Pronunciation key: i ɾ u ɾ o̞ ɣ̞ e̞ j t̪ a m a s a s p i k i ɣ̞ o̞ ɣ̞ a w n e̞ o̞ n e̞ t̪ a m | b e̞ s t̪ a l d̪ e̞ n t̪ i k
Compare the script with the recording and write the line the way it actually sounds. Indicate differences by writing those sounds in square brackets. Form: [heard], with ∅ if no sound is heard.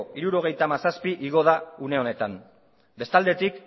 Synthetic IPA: i ɾ u ɾ o̞ ɣ̞ e̞ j t̪ a m a s a s p i [ʔ] i ɣ̞ o̞ [ð̞] a [u] n e̞ o̞ n e̞ t̪ a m | b e̞ s t̪ a l d̪ e̞ [∅] t̪ i k

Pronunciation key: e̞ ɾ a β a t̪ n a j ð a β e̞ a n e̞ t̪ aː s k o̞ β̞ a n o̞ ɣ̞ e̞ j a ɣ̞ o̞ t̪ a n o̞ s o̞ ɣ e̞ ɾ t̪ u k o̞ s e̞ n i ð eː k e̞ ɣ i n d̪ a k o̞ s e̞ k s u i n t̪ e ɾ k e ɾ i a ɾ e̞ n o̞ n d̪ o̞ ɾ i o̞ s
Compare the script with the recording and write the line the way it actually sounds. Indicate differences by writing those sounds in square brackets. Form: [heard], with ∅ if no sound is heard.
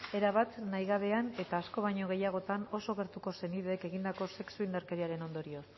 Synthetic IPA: e̞ ɾ a β a t̪ n a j [ɣ] a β e̞ a n e̞ t̪ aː s k o̞ β̞ a [ɲ] o̞ ɣ̞ e̞ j a ɣ̞ o̞ t̪ a n o̞ s o̞ ɣ e̞ ɾ t̪ u k o̞ s e̞ n i ð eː k e̞ ɣ i n d̪ a k o̞ s e̞ k s u i n [d̪] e ɾ k e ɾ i a ɾ e̞ n o̞ n d̪ o̞ ɾ i o̞ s

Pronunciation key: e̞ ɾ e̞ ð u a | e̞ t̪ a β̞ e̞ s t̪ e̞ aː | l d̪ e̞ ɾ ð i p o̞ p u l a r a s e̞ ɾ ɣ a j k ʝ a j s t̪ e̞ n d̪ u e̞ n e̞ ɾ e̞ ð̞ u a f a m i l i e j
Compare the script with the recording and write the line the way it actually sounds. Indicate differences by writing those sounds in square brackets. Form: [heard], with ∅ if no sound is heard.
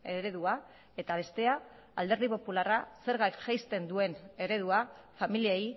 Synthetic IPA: e̞ ɾ e̞ ð u a | e̞ t̪ a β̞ e̞ s t̪ e̞ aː | l d̪ e̞ ɾ ð i p o̞ p u l a r a s e̞ ɾ ɣ a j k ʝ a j s t̪ e̞ n d̪ u e̞ n e̞ ɾ e̞ ð̞ u a f a m i l i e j

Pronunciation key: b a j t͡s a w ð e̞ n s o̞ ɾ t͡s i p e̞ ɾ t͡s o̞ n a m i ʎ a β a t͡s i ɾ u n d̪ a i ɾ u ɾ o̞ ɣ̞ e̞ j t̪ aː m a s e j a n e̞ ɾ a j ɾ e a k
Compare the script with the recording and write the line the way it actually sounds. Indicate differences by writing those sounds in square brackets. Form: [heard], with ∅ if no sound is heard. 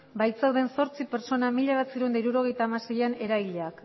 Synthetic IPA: b a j t͡s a w ð e̞ n s o̞ ɾ t͡s i p e̞ ɾ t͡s o̞ n a m i ʎ a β a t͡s i ɾ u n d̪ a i ɾ u ɾ o̞ ɣ̞ e̞ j t̪ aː m a s e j a n e̞ ɾ a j [ʎ] e a k

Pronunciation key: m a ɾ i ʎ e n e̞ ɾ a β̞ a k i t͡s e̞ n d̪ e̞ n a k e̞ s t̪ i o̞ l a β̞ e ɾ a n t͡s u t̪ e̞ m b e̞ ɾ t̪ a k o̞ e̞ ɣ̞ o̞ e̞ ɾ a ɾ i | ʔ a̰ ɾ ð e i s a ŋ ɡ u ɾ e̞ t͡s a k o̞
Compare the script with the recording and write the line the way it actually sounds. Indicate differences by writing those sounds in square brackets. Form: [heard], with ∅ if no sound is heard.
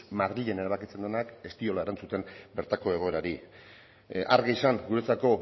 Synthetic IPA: m a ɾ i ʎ e n e̞ ɾ a β̞ a k i t͡s e̞ n d̪ e̞ n a k e̞ s t̪ i o̞ l a [∅] e ɾ a n t͡s u t̪ e̞ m b e̞ ɾ t̪ a k o̞ e̞ ɣ̞ o̞ e̞ ɾ a ɾ i | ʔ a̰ ɾ [ɣ] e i s a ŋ ɡ u ɾ e̞ t͡s a k o̞

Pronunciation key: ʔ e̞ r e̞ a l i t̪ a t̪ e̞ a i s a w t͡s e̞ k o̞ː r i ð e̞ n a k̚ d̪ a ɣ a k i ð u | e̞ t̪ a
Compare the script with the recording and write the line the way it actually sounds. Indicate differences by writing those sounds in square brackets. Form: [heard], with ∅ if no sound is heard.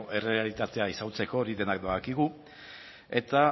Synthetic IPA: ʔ e̞ r e̞ a l i t̪ a t̪ e̞ a i s a w t͡s e̞ k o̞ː [ɾ] i ð e̞ n a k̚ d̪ a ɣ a k i [ɣ] u | e̞ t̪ a

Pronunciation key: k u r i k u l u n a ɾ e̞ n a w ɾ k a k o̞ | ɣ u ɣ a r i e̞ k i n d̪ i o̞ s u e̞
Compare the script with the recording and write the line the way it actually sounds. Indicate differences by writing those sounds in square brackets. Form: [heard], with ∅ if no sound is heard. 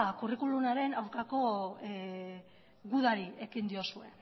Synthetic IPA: k u r i k u l u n a ɾ e̞ n a w ɾ k a k o̞ | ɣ u [ð] a [ɾ] i e̞ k i n d̪ i o̞ s u e̞

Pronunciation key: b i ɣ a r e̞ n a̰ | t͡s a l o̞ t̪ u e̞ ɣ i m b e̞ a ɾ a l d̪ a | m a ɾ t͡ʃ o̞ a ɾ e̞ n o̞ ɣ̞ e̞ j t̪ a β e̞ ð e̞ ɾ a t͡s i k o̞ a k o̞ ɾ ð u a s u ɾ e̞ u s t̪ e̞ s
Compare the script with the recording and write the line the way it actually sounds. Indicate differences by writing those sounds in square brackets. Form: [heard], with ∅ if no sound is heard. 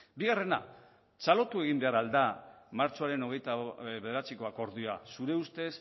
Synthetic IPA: b i ɣ a r e̞ n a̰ | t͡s a l o̞ t̪ u e̞ ɣ i m b e̞ a ɾ a l d̪ a | m a ɾ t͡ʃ o̞ a ɾ e̞ n o̞ ɣ̞ e̞ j t̪ a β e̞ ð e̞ ɾ a t͡s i k o̞ a k o̞ ɾ ð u a s u ɾ e̞ u s t̪ e̞ s

